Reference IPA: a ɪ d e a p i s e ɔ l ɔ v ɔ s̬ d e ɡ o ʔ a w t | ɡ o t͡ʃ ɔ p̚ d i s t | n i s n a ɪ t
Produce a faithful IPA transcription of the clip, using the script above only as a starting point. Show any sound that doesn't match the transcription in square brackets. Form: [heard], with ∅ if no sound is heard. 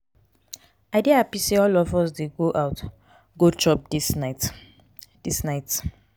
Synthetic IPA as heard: a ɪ d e a p i s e ɔ l ɔ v ɔ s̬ d e ɡ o ʔ a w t | ɡ o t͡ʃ ɔ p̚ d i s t | [d] i s n a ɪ t